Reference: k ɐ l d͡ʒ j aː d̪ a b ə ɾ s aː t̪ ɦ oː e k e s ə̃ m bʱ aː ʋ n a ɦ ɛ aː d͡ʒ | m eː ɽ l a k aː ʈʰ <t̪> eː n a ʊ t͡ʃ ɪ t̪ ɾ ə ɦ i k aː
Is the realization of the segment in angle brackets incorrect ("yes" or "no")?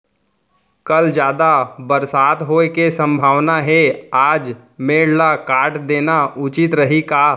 yes